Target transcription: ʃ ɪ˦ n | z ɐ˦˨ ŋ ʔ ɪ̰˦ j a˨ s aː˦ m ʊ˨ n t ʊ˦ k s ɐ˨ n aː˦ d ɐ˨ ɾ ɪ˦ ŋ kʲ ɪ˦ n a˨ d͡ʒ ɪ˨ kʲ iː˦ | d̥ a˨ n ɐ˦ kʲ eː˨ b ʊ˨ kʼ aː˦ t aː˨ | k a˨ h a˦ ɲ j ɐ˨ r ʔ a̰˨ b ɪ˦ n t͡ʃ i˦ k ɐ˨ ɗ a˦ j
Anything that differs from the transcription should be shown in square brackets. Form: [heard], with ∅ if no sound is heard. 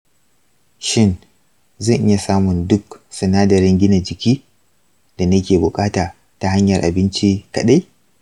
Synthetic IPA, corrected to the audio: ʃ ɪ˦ n | z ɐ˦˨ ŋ ʔ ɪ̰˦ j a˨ s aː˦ m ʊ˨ n [d] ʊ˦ k s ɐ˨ n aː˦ d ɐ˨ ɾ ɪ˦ ŋ [ɡʲ] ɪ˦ n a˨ d͡ʒ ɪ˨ kʲ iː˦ | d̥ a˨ n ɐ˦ kʲ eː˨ b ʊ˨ kʼ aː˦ t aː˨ | [t] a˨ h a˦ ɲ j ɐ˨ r ʔ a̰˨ b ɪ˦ n t͡ʃ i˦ k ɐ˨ ɗ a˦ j

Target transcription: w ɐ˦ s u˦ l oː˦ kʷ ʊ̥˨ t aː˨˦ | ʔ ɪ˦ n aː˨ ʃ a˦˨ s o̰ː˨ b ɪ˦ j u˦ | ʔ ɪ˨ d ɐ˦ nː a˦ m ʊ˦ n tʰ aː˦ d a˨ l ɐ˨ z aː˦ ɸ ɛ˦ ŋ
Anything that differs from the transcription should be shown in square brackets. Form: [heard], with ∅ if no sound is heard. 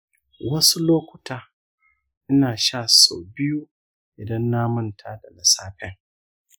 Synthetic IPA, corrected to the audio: w ɐ˦ s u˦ l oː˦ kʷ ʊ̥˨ t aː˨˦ | ʔ ɪ˦ n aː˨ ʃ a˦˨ s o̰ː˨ b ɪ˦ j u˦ | ʔ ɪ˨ d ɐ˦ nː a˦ m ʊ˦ n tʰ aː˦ d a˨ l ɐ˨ [s] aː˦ ɸ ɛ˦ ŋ

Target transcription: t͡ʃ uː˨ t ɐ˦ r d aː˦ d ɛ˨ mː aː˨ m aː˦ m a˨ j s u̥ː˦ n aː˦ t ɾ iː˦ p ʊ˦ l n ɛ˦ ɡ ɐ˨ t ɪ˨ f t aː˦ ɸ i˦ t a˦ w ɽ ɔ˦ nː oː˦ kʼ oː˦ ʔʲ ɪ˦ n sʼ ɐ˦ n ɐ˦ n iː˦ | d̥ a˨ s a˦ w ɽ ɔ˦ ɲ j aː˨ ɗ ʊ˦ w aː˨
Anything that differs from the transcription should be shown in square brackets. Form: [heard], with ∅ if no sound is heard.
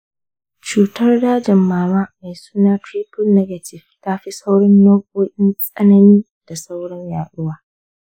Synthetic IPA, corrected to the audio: t͡ʃ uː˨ t ɐ˦ r d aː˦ [d͡ʒ] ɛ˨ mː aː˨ m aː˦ m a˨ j s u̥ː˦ n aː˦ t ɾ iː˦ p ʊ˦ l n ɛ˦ ɡ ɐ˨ t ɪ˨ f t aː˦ ɸ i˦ [s] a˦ w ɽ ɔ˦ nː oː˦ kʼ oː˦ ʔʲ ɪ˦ n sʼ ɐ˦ n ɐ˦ n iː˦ | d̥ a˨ s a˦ w ɽ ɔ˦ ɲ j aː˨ ɗ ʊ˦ w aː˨

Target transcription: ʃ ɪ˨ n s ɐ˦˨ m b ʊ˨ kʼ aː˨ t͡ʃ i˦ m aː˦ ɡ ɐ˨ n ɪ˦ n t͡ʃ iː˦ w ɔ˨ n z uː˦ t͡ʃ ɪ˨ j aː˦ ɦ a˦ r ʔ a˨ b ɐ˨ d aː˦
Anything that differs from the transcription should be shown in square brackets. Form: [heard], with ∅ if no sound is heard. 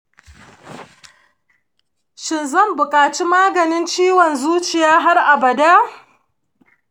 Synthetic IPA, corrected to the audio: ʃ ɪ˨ n [z] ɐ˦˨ m b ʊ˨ kʼ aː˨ t͡ʃ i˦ m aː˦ ɡ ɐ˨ n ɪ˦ n t͡ʃ iː˦ w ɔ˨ n z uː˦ t͡ʃ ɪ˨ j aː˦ ɦ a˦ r ʔ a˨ b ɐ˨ d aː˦

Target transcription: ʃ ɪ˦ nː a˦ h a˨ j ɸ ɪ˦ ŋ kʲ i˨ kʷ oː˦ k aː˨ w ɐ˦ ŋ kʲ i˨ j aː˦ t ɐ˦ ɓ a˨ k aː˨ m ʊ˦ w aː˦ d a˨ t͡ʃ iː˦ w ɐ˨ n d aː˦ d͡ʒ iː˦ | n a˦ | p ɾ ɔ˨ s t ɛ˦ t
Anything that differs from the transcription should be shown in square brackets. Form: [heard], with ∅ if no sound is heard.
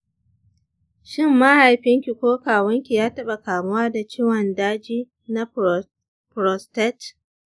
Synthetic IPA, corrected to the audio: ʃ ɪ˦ [mː] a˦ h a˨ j ɸ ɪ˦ ŋ kʲ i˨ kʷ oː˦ k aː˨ w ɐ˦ ŋ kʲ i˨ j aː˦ t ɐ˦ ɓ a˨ k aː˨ m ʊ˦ w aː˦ d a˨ t͡ʃ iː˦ w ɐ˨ n d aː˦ d͡ʒ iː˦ | n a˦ | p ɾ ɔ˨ s t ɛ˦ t

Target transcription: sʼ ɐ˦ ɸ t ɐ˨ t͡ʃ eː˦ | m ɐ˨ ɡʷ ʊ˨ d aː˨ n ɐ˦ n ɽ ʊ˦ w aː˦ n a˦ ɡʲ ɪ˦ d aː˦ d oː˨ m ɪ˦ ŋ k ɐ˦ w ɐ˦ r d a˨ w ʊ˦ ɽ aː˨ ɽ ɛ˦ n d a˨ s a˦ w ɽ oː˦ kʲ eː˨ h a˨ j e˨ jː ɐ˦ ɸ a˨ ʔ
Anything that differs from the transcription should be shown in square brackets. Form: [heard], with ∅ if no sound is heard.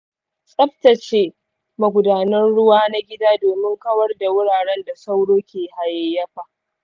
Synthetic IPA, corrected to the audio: sʼ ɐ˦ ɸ t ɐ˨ t͡ʃ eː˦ | m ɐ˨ ɡʷ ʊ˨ d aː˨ n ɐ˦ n ɽ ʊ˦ w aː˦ n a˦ ɡʲ ɪ˦ d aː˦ d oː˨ m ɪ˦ ŋ k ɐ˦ w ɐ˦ r d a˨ w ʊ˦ ɽ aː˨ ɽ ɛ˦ n d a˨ s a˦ w ɽ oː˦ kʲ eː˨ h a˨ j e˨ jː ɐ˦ ɸ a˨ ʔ

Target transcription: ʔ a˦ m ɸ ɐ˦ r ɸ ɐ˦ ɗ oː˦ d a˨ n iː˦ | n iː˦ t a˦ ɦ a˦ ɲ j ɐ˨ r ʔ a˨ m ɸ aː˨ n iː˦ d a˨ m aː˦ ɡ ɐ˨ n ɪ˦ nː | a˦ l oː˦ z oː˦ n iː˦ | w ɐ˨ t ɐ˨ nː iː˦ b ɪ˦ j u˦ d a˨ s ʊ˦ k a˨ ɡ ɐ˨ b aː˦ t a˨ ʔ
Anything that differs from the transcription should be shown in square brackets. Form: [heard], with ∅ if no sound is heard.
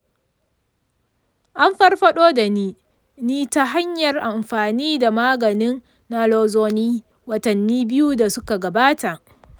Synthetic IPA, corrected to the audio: ʔ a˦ m ɸ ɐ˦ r ɸ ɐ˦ ɗ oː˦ d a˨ n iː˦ | n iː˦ t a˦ ɦ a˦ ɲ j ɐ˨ r ʔ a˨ m ɸ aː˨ n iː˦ d a˨ m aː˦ ɡ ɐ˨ n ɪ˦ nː | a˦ l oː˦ z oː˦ n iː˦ | w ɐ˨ t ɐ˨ nː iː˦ b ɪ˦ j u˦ d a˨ s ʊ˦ k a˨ ɡ ɐ˨ b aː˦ t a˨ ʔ

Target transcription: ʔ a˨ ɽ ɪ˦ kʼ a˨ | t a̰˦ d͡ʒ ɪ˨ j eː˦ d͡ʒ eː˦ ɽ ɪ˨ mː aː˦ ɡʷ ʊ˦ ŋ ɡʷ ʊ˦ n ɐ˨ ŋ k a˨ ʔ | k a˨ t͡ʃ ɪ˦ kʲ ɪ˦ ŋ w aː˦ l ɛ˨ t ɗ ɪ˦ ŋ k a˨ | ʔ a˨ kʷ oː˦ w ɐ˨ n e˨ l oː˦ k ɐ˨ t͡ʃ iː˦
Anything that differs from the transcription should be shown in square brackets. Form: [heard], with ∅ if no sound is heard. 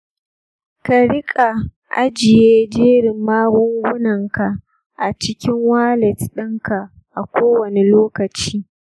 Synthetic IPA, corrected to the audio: [k] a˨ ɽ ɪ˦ kʼ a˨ | [ʔ] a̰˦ d͡ʒ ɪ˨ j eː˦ d͡ʒ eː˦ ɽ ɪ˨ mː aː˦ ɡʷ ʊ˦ ŋ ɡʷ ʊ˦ n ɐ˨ ŋ k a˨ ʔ | [ʔ] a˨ t͡ʃ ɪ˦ kʲ ɪ˦ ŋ w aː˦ l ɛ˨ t ɗ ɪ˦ ŋ k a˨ | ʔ a˨ kʷ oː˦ w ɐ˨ n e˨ l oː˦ k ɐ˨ t͡ʃ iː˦

